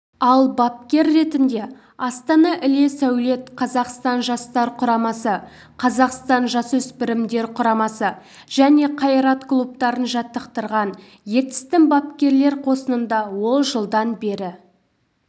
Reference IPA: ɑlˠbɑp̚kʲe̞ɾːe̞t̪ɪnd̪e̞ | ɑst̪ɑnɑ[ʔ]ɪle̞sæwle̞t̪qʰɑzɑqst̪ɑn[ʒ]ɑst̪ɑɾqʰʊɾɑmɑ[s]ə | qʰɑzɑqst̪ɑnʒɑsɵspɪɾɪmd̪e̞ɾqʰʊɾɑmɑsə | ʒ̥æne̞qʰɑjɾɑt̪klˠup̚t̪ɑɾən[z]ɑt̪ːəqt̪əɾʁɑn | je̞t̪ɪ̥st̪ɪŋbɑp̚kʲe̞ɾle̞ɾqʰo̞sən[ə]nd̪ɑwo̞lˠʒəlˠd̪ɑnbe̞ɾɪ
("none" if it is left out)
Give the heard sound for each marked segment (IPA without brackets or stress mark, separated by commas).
ʔ, ʒ, s, ʒ, ə